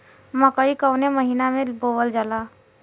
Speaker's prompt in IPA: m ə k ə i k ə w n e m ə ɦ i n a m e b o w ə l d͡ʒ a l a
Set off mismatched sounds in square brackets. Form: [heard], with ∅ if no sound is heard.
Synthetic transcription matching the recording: m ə k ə i k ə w n e m ə ɦ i n a m e b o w ə l d͡ʒ a l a